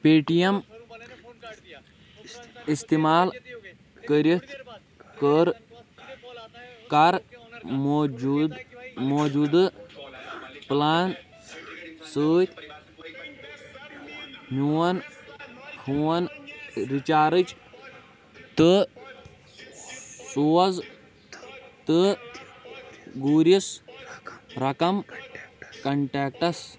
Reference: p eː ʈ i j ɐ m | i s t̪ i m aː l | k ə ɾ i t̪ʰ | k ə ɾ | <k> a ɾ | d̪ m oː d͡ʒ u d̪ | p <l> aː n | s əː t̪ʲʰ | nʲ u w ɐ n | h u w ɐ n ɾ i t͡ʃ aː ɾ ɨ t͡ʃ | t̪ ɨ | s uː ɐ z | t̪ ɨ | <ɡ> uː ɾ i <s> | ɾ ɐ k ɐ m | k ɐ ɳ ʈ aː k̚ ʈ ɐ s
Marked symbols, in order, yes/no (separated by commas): yes, yes, yes, yes